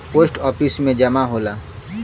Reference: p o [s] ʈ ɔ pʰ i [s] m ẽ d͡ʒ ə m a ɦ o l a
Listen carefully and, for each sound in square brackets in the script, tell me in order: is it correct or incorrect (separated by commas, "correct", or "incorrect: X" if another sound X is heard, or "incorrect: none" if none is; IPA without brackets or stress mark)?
correct, correct